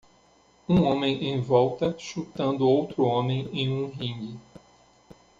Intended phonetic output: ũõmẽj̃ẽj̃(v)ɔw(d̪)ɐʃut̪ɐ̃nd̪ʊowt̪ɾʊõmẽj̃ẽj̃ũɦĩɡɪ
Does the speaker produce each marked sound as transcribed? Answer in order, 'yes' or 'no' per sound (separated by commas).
yes, no